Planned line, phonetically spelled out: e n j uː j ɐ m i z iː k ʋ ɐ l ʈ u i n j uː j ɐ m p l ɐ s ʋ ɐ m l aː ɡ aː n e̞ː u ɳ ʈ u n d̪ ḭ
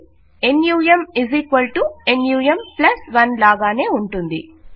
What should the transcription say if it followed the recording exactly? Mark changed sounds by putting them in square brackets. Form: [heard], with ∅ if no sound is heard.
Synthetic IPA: e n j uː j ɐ m i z iː k ʋ ɐ l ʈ u [e] n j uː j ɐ m p l ɐ s ʋ ɐ [n] l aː ɡ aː n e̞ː u ɳ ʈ u n d̪ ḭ